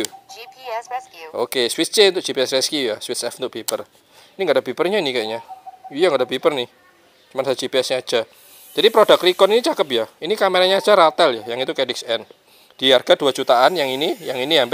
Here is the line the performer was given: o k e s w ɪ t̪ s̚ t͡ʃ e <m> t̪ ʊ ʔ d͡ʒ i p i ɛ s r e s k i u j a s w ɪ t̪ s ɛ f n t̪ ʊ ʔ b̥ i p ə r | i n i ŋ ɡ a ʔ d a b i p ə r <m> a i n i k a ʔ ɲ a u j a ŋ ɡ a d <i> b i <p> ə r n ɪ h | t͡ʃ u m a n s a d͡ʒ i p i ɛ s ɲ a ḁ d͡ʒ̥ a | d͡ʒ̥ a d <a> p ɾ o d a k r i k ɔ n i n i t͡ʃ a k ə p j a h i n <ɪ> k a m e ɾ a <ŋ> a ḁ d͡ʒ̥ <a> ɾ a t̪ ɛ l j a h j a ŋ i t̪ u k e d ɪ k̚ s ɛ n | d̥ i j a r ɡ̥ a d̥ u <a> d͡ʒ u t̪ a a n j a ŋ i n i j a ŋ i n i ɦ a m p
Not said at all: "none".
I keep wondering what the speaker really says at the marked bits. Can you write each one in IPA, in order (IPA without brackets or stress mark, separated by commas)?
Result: n, ɲ, a, p, i, i, ɲ, a, a